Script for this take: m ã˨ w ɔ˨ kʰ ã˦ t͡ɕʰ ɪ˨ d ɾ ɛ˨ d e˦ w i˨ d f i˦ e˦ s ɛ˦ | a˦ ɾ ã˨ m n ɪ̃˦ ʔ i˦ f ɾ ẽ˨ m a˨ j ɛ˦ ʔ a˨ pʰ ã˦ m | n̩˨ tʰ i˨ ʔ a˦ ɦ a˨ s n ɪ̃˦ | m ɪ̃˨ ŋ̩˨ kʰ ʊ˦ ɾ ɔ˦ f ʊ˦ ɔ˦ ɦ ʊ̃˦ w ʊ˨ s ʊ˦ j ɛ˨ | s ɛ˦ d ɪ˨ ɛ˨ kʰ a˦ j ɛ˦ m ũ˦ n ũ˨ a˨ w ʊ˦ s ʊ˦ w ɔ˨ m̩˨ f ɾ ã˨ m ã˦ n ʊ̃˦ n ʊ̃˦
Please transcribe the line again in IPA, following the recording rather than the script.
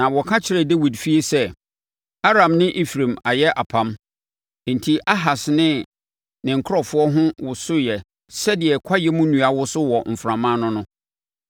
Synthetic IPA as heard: n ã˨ w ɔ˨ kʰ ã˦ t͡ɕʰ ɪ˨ ɾ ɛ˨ d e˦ w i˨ d f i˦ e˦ s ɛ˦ | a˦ ɾ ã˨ m n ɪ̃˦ ʔ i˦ f ɾ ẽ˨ m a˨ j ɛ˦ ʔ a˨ pʰ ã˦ m | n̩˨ tʰ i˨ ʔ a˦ ɦ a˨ s n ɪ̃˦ | n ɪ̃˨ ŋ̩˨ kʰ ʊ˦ ɾ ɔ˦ f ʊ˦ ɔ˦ ɦ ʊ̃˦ w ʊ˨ s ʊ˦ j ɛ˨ | s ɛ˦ d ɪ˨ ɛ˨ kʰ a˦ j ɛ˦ m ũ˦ n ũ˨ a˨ w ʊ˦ s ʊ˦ w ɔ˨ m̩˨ f ɾ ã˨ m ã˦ n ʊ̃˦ n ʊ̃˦